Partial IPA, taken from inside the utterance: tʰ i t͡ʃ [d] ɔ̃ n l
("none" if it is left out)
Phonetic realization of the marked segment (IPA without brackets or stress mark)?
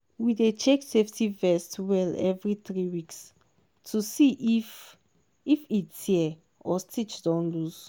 d